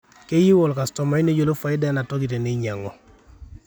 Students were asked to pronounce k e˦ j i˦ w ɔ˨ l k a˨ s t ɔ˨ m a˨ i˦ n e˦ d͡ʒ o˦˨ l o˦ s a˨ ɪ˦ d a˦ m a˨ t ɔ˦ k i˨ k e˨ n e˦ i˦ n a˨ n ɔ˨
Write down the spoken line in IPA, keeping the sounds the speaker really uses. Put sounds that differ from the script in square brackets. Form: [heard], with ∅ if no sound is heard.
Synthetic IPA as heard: k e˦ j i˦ w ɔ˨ l k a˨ s t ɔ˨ m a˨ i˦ n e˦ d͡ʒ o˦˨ l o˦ [f] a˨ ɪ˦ d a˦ [n] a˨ t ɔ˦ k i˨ [t] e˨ n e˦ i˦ [ɲ] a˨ [ŋ] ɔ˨